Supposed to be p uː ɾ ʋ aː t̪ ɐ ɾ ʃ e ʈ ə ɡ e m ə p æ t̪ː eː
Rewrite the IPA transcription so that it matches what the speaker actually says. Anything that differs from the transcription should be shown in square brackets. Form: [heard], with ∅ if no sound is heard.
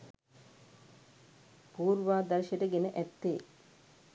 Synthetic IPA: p uː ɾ ʋ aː [d̪] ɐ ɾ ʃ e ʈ ə ɡ e [n] ə [ʔ] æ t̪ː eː

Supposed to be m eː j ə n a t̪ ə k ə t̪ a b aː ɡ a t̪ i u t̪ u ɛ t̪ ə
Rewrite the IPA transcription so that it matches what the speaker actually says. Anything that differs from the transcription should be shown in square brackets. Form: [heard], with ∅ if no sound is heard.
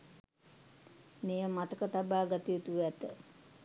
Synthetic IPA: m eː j ə [m] a t̪ ə k ə t̪ a b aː ɡ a t̪ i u t̪ u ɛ t̪ ə

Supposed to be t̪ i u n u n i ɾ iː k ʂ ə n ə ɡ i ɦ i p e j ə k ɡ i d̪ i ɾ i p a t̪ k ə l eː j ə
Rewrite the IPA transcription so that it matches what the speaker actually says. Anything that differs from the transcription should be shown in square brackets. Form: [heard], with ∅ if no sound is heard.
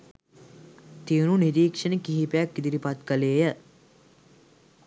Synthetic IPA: t̪ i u n u n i ɾ iː k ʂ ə n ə [k] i ɦ i p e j [a] k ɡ i d̪ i ɾ i p a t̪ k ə l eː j ə

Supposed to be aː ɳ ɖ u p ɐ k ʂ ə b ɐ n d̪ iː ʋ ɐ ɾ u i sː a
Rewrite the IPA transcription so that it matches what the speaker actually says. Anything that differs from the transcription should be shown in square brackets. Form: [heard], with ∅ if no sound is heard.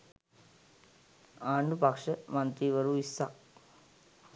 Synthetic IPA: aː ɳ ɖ u p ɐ k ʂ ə [m] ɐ n [t̪] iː ʋ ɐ ɾ u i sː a

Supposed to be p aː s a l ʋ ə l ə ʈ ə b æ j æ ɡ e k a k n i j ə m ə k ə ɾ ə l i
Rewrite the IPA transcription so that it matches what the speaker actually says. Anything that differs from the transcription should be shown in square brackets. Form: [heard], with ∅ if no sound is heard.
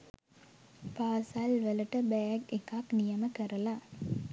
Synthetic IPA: p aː s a l ʋ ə l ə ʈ ə b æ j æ ɡ e k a k n i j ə m ə k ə ɾ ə l [a]

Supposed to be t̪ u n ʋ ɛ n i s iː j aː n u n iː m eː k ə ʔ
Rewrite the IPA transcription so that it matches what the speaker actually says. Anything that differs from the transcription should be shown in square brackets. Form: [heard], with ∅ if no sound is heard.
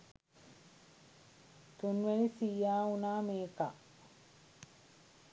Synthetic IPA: t̪ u n ʋ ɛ n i s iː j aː [∅] u n [aː] m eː k [a] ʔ

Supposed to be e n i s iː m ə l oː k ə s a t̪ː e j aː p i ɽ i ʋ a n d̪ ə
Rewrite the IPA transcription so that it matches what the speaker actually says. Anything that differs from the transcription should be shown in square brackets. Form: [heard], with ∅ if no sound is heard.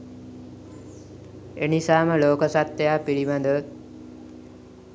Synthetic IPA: e n i s [aː] m ə l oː k ə s a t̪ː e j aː p i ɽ i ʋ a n d̪ ə

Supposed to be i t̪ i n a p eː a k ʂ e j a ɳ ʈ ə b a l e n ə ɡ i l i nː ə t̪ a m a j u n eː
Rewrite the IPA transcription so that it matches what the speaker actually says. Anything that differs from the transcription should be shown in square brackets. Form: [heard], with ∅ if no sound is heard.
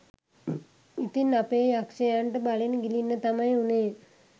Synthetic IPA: i t̪ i n a p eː a k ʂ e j a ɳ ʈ ə b a l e n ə ɡ i l i nː ə t̪ a m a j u n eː

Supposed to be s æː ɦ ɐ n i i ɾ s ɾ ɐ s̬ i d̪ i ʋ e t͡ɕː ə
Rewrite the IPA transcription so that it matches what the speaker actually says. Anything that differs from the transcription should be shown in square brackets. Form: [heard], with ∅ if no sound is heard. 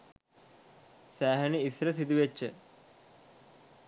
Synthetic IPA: s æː ɦ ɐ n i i [∅] s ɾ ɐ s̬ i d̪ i ʋ e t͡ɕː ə

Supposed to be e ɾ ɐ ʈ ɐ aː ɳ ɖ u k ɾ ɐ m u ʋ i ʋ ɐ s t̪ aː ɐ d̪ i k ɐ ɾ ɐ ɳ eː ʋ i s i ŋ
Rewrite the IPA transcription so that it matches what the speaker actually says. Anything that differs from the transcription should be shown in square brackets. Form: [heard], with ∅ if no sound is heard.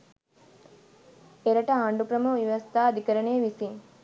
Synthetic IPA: e ɾ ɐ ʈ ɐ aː ɳ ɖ u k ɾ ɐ m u ʋ i ʋ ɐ s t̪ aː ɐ d̪ i k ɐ ɾ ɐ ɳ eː ʋ i s i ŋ

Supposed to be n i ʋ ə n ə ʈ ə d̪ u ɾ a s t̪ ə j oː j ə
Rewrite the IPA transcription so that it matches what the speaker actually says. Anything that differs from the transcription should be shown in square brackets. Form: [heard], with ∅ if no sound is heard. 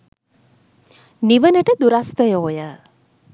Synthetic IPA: n i ʋ ə n ə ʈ ə d̪ u ɾ a s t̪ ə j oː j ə

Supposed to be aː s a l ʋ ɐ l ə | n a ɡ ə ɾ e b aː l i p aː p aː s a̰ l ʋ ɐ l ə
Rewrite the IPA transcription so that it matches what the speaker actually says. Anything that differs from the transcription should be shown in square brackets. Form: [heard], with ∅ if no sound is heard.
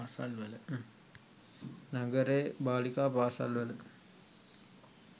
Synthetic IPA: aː s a l ʋ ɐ l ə | n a ɡ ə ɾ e b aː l i [k] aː p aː s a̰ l ʋ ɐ l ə

